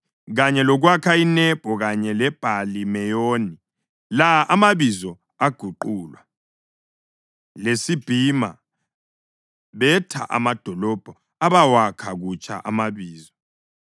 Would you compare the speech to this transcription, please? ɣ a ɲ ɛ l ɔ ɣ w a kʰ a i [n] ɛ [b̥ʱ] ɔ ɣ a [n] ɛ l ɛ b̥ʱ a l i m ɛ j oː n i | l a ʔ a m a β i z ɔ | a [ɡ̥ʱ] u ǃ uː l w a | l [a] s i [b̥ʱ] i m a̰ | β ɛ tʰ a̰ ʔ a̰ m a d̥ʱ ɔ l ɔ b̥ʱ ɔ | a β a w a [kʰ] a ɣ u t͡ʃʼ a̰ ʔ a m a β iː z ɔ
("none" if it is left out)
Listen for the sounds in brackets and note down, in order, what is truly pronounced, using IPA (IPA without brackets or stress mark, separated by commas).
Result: n, b̥ʱ, ɲ, ɡ̥ʱ, e, b̥ʱ, kʰ